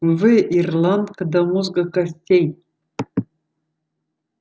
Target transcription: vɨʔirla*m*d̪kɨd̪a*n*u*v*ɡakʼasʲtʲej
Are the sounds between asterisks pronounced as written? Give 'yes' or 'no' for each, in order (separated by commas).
no, no, no